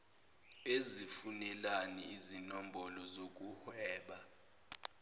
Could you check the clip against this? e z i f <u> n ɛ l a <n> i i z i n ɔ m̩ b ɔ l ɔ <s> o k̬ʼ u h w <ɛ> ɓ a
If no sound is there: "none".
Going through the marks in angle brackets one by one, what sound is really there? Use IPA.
u, n, z, ɛː

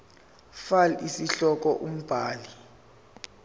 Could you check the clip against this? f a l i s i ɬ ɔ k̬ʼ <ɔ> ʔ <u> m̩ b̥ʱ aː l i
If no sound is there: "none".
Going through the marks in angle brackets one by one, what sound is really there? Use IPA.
ɔ, u

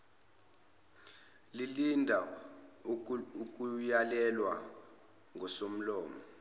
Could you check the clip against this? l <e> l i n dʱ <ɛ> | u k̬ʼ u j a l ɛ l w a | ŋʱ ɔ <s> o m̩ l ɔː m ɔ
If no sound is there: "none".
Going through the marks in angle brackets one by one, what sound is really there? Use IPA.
i, a, s

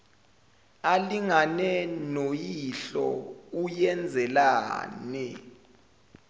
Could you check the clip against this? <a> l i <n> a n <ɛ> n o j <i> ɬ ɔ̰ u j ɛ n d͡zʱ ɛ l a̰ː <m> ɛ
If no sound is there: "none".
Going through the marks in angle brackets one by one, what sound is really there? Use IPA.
a, ŋ, ɛ, i, n

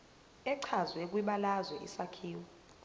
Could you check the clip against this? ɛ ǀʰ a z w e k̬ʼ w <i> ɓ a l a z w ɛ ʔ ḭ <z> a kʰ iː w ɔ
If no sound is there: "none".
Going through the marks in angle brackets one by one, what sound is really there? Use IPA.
i, s

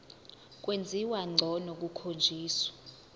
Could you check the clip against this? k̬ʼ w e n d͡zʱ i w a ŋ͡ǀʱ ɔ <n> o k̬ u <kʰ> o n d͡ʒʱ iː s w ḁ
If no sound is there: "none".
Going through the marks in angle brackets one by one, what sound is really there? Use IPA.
n, kʰ

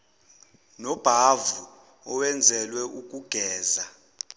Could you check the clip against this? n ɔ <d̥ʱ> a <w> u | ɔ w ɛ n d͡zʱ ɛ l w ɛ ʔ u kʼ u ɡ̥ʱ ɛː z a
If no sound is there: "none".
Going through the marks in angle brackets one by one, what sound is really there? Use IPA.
b̥ʱ, v

